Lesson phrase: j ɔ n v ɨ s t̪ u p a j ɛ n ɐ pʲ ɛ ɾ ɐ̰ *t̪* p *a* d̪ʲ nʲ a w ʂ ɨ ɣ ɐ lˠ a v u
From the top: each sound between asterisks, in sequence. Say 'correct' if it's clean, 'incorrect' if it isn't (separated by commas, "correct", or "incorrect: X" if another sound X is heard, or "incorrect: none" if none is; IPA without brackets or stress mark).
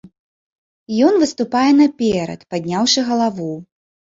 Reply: correct, correct